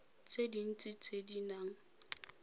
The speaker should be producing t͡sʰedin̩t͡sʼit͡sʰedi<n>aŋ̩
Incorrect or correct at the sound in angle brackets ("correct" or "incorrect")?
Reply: correct